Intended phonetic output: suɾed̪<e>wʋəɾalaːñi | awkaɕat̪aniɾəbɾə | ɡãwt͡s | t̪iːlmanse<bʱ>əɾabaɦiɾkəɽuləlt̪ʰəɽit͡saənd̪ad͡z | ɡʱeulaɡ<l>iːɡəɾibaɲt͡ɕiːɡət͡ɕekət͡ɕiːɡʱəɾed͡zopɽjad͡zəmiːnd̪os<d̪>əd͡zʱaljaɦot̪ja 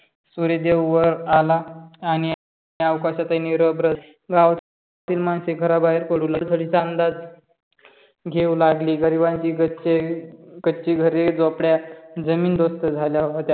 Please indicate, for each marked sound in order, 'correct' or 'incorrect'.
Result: correct, incorrect, correct, incorrect

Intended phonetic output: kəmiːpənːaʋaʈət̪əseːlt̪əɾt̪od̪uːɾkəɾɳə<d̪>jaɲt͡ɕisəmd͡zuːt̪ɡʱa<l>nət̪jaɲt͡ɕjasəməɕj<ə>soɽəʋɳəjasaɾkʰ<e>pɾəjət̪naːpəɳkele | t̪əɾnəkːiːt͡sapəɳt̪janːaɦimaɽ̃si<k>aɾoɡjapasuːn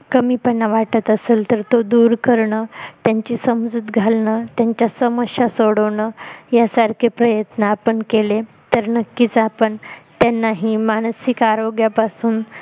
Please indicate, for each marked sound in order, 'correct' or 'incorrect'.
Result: incorrect, correct, incorrect, correct, correct

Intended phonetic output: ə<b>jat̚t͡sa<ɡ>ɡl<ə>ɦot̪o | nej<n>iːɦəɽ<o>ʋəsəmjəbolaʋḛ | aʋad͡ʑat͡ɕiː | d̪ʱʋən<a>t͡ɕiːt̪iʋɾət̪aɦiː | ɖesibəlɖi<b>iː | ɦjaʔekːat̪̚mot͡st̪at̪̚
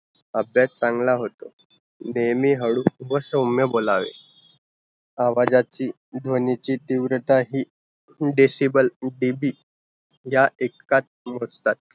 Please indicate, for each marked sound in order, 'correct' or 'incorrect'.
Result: correct, incorrect, incorrect, incorrect, incorrect, incorrect, correct

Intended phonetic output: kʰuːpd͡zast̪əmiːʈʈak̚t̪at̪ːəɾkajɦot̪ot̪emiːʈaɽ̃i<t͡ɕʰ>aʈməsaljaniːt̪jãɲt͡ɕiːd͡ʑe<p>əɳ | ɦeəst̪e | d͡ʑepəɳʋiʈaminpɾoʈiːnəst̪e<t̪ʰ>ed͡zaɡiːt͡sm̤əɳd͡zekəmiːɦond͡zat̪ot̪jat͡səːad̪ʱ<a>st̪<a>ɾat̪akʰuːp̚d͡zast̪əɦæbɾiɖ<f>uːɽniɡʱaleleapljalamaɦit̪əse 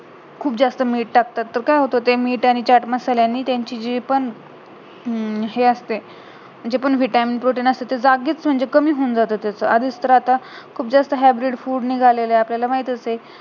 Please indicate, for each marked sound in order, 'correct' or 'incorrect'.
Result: incorrect, correct, incorrect, incorrect, incorrect, correct

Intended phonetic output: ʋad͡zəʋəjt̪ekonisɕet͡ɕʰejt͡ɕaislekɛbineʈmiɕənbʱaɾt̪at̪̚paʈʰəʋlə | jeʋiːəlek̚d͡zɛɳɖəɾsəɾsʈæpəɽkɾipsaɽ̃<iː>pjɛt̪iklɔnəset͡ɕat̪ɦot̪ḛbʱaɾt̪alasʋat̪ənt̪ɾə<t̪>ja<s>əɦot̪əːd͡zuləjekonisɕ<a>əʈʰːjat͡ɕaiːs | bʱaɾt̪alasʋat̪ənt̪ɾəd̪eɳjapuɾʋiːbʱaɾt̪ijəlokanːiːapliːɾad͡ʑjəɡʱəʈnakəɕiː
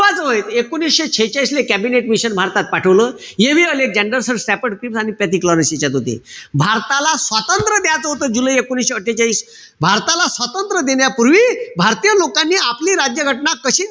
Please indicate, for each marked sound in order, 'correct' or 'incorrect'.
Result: incorrect, incorrect, incorrect, incorrect

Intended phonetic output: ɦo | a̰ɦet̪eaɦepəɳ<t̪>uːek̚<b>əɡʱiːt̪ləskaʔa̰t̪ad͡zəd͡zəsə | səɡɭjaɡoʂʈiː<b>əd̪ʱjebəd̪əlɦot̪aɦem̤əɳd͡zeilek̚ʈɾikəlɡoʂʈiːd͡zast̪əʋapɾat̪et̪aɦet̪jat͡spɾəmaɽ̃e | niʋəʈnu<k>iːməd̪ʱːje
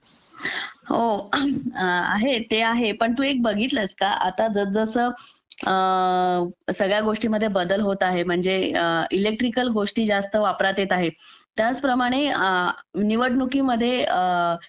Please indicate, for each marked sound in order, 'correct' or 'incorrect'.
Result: correct, correct, incorrect, correct

